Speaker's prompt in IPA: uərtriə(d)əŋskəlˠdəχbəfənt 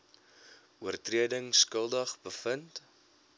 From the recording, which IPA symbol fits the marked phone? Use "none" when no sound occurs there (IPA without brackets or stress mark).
d